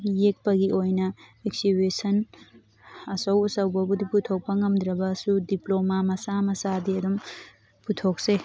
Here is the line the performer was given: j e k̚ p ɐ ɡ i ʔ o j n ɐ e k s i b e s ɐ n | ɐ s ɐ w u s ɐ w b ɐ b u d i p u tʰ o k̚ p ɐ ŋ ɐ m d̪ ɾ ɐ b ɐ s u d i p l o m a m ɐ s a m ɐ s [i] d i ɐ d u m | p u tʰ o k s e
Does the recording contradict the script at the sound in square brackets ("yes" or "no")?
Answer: yes